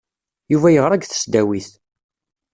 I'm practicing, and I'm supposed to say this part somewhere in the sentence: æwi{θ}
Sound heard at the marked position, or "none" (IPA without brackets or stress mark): θ